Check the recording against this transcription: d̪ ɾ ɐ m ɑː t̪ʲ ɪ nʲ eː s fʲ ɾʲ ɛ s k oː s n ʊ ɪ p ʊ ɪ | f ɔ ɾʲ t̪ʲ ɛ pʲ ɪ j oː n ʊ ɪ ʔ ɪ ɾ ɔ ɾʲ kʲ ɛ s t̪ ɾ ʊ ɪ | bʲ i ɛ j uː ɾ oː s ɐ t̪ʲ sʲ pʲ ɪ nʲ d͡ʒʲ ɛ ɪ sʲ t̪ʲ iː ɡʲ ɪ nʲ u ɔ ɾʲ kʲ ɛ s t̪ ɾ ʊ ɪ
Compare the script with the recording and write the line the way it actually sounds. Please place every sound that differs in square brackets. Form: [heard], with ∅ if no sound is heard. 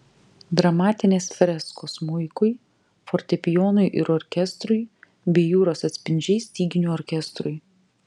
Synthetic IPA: d̪ ɾ ɐ m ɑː t̪ʲ ɪ nʲ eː s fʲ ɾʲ ɛ s k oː s [m] ʊ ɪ [k] ʊ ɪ | f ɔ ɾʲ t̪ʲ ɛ pʲ ɪ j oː n ʊ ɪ ʔ ɪ ɾ ɔ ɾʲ kʲ ɛ s t̪ ɾ ʊ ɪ | bʲ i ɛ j uː ɾ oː s ɐ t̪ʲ sʲ pʲ ɪ nʲ d͡ʒʲ ɛ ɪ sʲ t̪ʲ iː ɡʲ ɪ nʲ u ɔ ɾʲ kʲ ɛ s t̪ ɾ ʊ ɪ